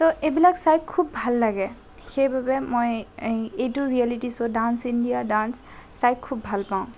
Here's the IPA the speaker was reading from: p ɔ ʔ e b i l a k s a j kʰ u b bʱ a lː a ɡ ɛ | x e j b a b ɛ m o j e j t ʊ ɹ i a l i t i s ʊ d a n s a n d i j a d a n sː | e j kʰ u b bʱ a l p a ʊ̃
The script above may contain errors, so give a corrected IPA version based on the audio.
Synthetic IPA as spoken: t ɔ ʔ e b i l a k s a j kʰ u b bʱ a lː a ɡ ɛ | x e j b a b ɛ m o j e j t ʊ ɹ i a l i t i s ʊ d a n s i n d i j a d a n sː | a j kʰ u b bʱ a l p a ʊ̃